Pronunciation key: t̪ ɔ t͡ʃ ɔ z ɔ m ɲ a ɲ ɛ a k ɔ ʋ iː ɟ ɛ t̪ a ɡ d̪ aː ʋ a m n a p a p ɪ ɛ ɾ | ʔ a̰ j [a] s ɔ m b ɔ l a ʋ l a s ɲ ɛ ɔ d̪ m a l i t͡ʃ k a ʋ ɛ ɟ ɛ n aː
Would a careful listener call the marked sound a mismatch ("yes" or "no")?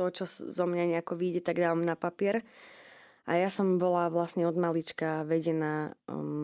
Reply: no